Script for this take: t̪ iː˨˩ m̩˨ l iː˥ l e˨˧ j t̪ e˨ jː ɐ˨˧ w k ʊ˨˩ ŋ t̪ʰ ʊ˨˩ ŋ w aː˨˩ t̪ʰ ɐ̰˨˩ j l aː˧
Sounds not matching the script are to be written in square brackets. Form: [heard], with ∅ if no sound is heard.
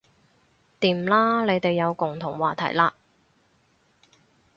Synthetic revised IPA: t̪ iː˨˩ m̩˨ l [aː˥] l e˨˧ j t̪ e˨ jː ɐ˨˧ w k ʊ˨˩ ŋ t̪ʰ ʊ˨˩ ŋ w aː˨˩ t̪ʰ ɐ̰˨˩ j l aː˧